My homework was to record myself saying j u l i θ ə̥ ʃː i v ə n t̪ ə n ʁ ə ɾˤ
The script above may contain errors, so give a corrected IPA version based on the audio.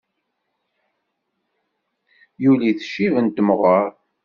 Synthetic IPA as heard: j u l i θ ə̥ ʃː i v ə n t̪ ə m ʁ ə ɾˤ